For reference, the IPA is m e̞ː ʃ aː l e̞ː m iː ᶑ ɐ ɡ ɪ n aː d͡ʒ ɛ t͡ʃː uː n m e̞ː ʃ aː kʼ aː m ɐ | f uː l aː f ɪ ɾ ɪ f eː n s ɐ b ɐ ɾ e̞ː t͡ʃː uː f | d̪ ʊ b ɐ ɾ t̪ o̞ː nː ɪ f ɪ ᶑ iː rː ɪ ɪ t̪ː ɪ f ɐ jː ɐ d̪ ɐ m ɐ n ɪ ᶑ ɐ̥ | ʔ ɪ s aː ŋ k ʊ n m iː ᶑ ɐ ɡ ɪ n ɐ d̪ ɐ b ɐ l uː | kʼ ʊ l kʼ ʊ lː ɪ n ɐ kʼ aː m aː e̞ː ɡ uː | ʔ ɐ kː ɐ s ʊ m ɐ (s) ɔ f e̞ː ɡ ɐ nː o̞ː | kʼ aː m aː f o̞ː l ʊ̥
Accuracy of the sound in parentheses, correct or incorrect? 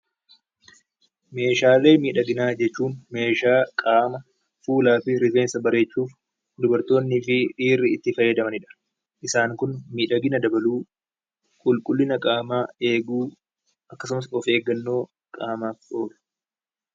correct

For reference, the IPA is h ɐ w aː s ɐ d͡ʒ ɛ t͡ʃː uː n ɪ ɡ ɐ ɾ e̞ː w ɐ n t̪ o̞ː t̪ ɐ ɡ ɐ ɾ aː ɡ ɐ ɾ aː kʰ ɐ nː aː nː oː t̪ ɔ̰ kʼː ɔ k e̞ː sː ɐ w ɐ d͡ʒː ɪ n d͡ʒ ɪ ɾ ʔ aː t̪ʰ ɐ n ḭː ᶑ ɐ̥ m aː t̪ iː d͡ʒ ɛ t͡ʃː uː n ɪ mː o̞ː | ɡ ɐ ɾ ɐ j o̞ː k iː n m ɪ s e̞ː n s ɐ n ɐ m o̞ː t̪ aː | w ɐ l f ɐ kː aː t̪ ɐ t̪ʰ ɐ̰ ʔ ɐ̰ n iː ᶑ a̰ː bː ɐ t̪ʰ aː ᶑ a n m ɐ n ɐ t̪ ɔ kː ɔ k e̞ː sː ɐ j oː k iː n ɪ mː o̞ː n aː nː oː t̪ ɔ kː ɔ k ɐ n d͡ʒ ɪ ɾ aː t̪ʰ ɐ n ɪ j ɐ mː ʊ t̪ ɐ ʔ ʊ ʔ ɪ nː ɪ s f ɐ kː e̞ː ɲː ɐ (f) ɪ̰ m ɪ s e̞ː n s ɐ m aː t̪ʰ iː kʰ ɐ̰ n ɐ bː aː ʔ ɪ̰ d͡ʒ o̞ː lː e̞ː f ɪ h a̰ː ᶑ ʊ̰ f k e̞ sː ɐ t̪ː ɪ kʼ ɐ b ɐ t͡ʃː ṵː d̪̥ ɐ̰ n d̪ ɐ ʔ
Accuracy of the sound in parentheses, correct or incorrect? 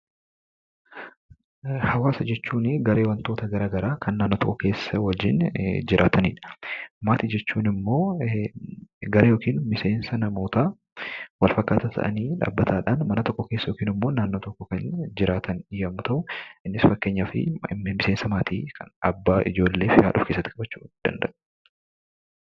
correct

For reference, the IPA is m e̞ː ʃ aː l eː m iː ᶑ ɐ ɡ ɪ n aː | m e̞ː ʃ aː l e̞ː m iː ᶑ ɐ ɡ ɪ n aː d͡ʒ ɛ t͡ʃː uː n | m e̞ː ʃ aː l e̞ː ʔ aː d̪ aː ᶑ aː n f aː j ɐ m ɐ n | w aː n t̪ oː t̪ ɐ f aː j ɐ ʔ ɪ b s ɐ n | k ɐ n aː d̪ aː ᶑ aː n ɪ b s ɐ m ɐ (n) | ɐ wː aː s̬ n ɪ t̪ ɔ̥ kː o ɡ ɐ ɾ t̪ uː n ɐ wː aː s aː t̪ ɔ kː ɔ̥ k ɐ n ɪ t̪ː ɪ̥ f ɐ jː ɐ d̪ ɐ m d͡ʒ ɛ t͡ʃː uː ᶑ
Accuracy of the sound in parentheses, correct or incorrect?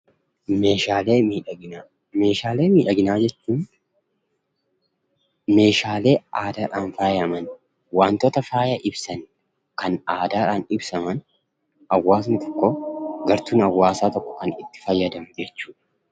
correct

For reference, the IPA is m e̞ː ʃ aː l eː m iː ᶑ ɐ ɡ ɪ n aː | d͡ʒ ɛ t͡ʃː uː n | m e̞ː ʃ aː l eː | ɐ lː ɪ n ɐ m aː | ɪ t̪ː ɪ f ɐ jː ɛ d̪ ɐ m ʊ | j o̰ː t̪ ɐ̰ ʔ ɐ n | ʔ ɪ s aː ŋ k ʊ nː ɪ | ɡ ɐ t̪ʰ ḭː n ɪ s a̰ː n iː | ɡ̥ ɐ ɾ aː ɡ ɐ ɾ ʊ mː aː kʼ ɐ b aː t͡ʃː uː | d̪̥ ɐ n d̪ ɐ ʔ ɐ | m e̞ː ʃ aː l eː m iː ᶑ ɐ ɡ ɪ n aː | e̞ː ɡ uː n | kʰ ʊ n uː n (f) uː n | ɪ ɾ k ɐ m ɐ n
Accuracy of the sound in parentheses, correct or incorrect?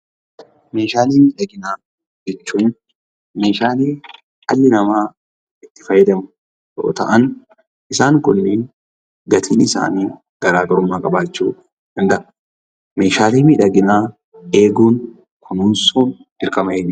incorrect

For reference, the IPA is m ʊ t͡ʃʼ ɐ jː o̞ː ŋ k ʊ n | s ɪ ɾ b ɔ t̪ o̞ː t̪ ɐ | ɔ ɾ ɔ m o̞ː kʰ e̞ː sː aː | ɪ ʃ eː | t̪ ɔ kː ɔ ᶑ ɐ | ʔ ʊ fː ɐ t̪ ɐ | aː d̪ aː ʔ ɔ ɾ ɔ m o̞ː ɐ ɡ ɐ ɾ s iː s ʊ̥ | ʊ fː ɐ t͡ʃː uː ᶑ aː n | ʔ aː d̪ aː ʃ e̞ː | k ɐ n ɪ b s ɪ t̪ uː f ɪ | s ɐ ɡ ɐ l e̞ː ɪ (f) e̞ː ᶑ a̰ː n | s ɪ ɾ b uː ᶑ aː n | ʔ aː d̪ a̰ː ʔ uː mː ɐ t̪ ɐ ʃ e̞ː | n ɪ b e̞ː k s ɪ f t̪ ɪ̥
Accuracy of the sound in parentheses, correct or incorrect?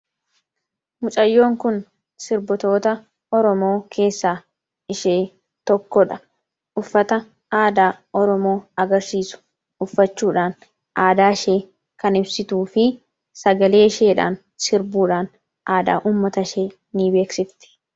incorrect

